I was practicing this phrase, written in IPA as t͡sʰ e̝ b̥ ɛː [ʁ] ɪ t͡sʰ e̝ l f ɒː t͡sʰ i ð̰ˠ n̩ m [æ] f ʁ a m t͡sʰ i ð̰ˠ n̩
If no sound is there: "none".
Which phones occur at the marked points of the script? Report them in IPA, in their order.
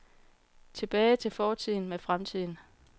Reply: none, e

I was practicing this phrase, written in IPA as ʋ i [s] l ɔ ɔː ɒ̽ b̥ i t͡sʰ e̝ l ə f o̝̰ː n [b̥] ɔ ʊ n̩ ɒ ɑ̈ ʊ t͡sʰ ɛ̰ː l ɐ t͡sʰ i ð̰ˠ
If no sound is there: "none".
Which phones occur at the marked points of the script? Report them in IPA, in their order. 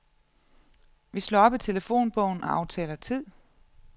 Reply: s, b̥

